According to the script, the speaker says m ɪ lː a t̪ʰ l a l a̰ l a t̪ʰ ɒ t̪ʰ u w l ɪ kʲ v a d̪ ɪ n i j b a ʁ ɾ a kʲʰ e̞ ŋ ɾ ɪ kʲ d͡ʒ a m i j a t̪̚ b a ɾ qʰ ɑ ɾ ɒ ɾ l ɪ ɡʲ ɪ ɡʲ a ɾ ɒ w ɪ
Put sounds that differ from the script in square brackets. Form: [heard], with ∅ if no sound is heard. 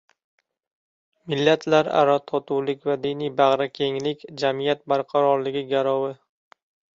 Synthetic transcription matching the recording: m ɪ lː a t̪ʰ l a [ɾ] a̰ [ɾ] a t̪ʰ ɒ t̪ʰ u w l ɪ kʲ v a d̪ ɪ n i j b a ʁ ɾ a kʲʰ e̞ ŋ [l] ɪ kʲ d͡ʒ a m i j a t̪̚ b a ɾ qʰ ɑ ɾ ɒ ɾ l ɪ ɡʲ ɪ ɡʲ a ɾ ɒ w ɪ